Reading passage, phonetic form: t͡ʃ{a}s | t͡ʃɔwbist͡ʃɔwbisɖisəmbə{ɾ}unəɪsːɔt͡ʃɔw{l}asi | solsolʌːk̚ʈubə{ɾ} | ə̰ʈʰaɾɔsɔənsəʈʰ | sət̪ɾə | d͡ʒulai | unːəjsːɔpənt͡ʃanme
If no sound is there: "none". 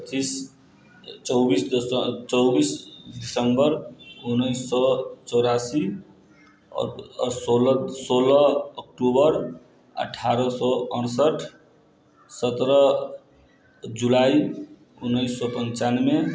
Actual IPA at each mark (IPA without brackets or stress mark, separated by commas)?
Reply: i, ɾ, ɾ, ɾ